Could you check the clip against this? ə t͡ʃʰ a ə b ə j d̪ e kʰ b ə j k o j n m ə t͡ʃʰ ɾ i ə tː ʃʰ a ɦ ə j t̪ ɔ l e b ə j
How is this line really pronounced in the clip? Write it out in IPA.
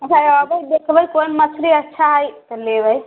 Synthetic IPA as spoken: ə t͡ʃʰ a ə b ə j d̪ e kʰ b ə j k o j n m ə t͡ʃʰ ɾ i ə tː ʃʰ a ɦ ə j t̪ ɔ l e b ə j